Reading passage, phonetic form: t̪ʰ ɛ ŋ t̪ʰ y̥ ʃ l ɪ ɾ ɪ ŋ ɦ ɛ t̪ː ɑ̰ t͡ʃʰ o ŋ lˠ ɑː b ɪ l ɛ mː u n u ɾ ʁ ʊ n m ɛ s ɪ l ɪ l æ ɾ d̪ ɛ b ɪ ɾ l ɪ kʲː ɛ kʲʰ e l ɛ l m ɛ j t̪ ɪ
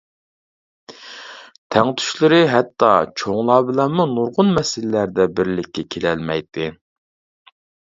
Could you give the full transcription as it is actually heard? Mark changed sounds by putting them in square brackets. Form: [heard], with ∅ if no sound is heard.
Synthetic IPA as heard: t̪ʰ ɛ ŋ t̪ʰ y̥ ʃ l ɪ ɾ ɪ [∅] ɦ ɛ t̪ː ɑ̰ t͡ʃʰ o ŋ lˠ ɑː b ɪ l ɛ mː u n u ɾ ʁ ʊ n m ɛ s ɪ l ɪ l æ ɾ d̪ ɛ b ɪ ɾ l ɪ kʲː ɛ kʲʰ e l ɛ l m ɛ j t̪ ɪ